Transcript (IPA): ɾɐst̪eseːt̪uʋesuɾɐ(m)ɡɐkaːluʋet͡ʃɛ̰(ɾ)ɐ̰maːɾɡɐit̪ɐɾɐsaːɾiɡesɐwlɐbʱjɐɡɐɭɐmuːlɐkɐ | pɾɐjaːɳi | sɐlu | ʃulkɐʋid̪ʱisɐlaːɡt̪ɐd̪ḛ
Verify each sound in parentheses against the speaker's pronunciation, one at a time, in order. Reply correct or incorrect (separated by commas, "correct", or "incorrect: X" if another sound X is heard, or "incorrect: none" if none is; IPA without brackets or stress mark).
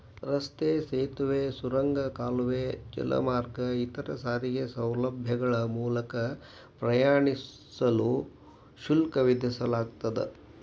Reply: incorrect: ŋ, incorrect: l